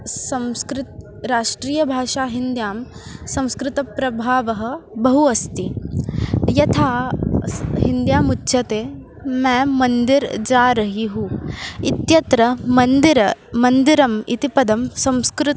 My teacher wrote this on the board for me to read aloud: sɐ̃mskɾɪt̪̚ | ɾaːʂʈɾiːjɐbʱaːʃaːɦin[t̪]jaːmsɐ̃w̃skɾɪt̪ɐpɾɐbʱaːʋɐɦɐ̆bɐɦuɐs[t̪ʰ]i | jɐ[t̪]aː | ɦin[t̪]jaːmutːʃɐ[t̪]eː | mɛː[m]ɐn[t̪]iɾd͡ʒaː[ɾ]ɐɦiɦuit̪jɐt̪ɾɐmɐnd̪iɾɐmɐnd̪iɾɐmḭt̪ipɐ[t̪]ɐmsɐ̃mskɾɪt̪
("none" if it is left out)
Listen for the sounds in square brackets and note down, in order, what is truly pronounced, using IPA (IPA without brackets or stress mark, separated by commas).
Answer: d̪, t̪, t̪ʰ, d̪, t̪, m, d̪, ɾ, d̪